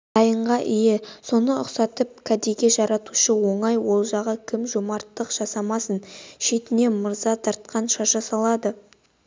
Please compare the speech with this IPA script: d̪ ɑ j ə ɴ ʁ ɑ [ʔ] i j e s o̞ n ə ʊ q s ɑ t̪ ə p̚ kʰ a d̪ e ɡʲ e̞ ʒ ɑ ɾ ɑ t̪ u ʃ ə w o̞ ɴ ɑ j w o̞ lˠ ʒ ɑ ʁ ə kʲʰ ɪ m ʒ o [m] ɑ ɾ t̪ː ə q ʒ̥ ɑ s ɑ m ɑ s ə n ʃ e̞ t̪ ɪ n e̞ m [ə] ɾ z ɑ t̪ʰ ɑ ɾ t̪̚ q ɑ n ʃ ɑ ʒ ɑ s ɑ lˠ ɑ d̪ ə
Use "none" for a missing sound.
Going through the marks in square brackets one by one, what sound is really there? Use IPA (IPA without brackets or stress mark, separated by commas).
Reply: ʔ, m, ə